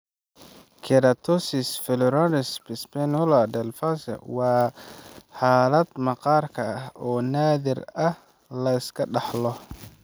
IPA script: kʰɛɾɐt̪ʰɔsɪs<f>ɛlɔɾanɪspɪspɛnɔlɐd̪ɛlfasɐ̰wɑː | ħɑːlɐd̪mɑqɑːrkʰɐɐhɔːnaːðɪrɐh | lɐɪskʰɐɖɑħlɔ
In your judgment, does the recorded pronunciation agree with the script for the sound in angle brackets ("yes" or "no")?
yes